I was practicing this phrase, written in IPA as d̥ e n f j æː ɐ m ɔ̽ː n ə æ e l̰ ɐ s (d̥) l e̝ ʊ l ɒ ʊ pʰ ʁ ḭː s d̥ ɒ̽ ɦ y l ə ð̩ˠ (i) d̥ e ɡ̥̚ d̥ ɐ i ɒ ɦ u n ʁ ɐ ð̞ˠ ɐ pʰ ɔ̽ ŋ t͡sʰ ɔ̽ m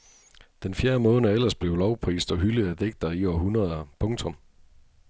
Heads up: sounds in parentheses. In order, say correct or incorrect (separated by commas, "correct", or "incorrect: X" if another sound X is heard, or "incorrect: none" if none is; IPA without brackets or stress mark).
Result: incorrect: b̥, incorrect: æ